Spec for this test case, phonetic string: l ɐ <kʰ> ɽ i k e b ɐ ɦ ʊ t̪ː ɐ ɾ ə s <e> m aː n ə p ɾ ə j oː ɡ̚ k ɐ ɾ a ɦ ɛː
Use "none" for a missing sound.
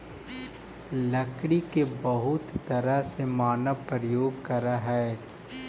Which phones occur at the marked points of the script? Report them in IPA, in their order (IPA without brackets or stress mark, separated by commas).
k, e